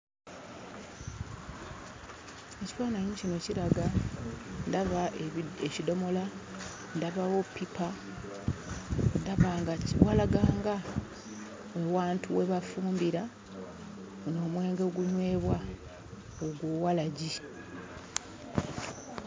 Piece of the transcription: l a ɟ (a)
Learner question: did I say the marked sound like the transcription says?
no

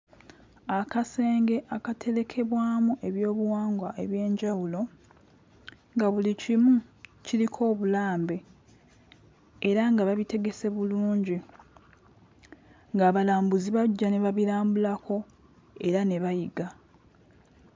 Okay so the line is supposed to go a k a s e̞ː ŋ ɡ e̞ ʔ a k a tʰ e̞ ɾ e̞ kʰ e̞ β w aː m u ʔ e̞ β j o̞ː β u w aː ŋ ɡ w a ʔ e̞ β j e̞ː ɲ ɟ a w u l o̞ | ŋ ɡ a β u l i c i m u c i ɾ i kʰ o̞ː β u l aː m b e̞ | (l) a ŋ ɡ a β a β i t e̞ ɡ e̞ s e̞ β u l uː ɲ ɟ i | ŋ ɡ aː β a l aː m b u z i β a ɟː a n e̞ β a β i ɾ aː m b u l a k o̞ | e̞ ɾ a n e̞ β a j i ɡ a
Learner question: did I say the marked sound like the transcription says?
no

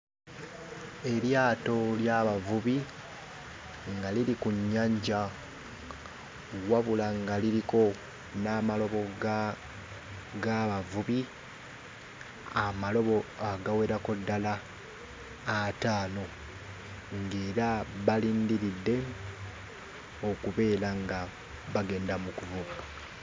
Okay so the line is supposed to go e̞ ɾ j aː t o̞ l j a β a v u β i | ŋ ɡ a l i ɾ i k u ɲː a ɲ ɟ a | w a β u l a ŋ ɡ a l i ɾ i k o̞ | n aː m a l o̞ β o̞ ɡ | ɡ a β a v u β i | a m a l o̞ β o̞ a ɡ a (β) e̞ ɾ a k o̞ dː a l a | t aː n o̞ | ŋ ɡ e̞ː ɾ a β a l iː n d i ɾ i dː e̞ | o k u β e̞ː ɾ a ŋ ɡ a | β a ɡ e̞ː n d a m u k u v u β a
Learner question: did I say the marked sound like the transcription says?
no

